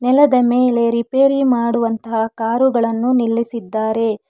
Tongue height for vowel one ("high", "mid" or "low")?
mid